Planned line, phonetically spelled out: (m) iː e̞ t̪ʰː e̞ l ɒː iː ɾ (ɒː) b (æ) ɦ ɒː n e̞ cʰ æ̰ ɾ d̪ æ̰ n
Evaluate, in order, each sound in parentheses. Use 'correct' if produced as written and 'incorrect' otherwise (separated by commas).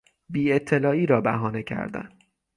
incorrect, correct, correct